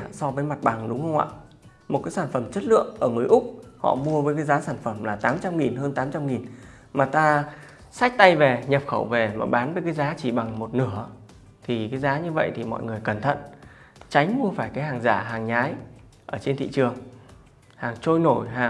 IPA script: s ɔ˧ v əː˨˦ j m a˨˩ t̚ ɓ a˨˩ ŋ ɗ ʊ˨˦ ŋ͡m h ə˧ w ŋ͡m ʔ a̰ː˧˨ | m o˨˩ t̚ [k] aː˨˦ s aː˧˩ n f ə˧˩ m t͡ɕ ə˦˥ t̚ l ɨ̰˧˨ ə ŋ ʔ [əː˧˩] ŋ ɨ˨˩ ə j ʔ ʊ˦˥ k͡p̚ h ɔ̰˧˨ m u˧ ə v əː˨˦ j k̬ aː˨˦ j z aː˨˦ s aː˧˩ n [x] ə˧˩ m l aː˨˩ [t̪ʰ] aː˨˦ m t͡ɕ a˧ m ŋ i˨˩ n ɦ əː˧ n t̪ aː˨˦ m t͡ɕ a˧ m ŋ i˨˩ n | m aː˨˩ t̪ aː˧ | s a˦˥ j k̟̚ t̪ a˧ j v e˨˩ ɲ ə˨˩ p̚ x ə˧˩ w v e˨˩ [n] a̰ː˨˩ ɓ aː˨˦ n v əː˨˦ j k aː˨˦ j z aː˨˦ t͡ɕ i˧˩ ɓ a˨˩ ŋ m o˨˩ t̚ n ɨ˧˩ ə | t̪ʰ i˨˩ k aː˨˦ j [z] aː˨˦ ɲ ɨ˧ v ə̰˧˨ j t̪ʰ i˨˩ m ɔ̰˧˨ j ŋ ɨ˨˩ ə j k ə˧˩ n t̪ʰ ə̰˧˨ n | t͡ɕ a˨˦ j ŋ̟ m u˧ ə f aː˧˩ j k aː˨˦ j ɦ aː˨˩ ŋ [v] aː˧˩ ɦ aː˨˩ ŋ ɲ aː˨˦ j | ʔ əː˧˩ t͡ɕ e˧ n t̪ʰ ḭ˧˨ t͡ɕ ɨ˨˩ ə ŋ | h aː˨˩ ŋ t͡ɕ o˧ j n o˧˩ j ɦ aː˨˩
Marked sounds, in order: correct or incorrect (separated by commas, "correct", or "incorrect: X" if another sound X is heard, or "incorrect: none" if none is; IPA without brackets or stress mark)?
correct, correct, incorrect: f, incorrect: t̪, incorrect: m, correct, incorrect: z